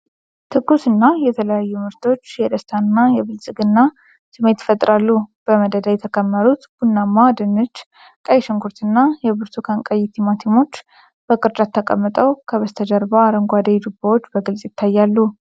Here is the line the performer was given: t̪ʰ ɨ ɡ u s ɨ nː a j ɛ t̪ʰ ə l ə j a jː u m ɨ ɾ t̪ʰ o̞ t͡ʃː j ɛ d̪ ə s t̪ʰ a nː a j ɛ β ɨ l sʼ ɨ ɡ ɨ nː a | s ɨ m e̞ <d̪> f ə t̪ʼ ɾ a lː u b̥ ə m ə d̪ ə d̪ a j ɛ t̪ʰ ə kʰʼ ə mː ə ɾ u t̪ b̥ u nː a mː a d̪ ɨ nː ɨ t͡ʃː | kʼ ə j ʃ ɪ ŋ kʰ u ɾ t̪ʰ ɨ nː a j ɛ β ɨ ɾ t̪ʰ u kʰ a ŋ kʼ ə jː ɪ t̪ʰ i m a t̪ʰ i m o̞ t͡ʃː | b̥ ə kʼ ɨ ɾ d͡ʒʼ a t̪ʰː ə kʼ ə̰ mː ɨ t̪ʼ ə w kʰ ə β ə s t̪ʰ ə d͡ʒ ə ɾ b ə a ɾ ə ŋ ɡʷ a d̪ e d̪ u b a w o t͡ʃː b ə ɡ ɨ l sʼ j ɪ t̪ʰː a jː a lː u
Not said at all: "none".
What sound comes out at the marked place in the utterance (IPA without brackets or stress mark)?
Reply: t̪